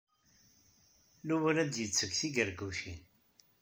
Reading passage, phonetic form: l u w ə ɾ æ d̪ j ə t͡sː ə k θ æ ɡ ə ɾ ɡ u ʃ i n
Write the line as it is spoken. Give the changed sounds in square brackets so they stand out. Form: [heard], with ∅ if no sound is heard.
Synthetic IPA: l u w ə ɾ æ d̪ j ə t͡sː ə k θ [i] ɡ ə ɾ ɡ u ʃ i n